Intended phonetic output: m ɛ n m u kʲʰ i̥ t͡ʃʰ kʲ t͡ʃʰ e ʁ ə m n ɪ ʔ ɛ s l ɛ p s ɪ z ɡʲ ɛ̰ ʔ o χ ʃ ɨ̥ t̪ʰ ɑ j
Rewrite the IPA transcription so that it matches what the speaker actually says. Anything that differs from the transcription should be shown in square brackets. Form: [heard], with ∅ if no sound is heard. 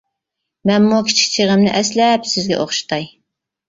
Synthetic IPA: m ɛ n m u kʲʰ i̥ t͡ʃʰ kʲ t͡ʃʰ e ʁ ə m n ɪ ʔ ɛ s l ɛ p s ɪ z ɡʲ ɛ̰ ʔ o χ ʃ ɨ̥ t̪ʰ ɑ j